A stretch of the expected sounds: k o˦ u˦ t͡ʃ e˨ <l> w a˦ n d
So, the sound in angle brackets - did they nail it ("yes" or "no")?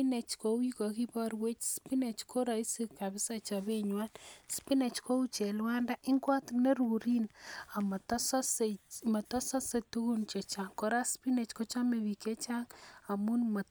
yes